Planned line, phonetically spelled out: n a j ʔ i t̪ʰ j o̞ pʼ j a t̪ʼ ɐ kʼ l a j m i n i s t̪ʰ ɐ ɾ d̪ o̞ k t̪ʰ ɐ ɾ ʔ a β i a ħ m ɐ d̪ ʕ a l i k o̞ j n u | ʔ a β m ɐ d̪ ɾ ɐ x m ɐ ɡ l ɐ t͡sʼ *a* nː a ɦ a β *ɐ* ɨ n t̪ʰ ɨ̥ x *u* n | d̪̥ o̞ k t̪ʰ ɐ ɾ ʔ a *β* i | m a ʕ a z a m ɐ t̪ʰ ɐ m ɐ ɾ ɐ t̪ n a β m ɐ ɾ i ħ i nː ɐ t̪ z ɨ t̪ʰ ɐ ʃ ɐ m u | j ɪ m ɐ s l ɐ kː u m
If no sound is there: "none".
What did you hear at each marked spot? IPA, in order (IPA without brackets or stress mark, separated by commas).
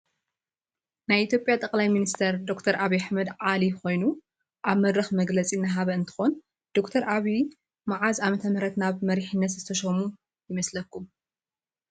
i, ɐ, o, β